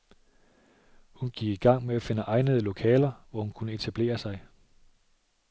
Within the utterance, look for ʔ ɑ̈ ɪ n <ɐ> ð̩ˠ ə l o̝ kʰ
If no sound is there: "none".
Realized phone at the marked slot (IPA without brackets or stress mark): ə